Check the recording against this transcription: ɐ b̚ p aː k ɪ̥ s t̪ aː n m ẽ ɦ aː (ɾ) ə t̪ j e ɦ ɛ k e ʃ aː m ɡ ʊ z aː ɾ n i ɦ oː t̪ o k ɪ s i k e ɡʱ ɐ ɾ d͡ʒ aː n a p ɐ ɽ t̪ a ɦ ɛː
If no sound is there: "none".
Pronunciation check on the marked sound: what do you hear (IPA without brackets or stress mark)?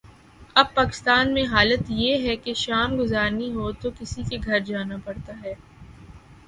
l